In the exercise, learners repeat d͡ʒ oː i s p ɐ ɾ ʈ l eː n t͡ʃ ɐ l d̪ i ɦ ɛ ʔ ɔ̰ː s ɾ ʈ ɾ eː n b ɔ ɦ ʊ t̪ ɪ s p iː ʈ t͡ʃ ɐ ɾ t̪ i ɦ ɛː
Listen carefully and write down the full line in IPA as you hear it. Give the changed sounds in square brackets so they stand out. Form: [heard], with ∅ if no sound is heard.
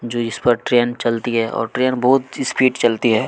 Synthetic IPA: d͡ʒ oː [ɪ] s p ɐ ɾ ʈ [ɾ] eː n t͡ʃ ɐ l [t̪] i ɦ ɛ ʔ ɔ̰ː [∅] ɾ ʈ ɾ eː n b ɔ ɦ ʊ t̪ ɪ s p iː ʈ t͡ʃ ɐ [l] t̪ i ɦ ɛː